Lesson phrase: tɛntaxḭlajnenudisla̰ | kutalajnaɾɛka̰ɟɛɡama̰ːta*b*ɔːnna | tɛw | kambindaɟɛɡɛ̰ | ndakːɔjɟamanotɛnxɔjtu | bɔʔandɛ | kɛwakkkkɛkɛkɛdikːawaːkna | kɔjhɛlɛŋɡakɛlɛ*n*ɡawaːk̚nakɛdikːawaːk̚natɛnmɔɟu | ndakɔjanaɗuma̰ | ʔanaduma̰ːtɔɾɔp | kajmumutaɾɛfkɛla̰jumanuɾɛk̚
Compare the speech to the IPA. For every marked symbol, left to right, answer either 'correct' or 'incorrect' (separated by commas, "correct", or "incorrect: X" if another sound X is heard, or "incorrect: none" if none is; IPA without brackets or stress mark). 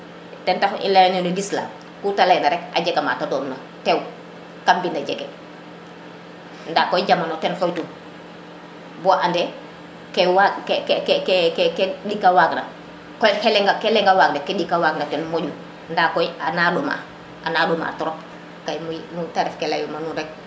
incorrect: d, incorrect: ŋ